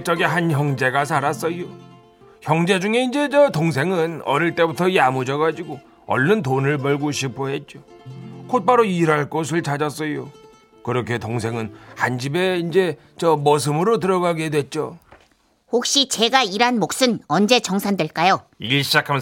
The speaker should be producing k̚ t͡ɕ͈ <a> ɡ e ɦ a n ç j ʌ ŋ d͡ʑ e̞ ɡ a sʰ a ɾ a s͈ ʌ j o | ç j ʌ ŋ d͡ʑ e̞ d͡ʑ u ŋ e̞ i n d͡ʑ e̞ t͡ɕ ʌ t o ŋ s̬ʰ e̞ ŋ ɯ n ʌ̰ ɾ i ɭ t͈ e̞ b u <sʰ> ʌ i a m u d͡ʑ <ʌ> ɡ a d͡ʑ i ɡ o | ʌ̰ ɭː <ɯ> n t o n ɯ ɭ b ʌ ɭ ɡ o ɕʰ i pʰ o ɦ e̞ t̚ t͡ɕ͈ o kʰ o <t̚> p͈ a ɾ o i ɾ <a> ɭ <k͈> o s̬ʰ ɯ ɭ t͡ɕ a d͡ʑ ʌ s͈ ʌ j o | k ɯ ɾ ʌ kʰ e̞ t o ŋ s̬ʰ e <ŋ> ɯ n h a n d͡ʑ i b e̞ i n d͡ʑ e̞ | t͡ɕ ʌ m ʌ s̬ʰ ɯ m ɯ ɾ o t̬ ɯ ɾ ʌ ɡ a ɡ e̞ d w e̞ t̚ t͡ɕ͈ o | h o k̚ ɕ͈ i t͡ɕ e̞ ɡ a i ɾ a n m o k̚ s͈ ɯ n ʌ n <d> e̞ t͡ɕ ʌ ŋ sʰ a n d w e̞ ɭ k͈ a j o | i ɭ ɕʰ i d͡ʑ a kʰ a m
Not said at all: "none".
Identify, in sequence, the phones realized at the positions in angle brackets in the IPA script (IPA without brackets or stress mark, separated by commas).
ʌ, tʰ, ʌ, ɯ, t̚, a, k͈, ŋ, d͡ʑ